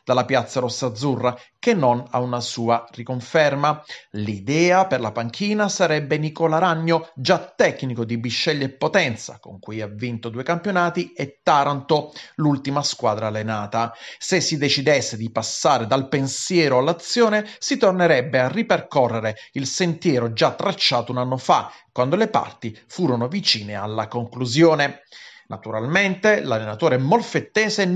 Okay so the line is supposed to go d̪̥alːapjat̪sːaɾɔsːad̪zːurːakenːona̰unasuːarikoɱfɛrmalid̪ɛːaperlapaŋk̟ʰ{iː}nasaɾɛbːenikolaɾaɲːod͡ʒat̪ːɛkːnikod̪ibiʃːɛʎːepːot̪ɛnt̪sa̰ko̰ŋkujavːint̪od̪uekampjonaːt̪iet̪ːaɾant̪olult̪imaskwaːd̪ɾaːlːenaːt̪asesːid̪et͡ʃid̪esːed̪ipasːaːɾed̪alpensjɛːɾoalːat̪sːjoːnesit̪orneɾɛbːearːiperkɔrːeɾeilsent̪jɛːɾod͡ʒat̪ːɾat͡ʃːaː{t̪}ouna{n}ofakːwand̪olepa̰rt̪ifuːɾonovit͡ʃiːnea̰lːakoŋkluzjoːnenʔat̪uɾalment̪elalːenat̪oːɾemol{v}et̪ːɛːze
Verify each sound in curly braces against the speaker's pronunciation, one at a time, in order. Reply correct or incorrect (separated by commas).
correct, correct, incorrect, incorrect